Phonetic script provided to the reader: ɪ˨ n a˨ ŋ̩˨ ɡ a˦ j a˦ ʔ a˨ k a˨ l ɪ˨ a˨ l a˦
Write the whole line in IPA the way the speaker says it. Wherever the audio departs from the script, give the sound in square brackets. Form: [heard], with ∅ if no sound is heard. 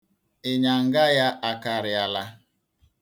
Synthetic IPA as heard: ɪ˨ [ɲ] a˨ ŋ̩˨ ɡ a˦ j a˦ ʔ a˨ k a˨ [ɾ] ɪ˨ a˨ l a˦